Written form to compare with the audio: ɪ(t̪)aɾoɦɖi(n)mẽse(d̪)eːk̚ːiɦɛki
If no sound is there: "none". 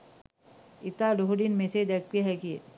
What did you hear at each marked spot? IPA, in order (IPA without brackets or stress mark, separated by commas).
t̪, n, d̪